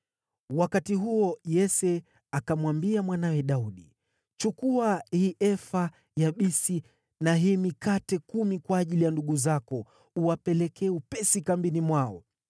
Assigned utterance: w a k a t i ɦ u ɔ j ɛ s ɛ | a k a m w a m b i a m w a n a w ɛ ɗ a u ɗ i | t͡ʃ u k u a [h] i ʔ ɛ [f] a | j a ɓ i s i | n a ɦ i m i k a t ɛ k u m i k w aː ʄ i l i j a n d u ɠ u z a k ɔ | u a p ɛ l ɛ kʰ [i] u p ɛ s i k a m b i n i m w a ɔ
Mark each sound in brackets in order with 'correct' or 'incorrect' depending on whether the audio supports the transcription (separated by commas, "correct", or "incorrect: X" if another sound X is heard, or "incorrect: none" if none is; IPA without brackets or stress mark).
correct, correct, incorrect: ɛ